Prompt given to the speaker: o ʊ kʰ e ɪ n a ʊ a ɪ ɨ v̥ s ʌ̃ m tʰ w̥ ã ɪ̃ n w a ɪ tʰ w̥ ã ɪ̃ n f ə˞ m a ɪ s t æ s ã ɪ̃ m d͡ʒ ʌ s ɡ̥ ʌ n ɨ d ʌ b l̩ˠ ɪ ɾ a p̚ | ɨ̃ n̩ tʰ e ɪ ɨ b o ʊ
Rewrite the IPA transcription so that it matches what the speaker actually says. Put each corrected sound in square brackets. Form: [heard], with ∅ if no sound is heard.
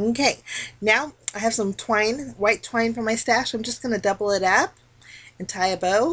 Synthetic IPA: o ʊ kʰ e ɪ n a ʊ a ɪ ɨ v̥ s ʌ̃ m tʰ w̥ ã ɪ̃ n w a ɪ tʰ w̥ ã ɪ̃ n f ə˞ m a ɪ s t æ [ʃ] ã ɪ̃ m d͡ʒ ʌ s ɡ̥ ʌ n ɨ d ʌ b l̩ˠ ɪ ɾ [ʌ] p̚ | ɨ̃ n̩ tʰ [a] ɪ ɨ b o ʊ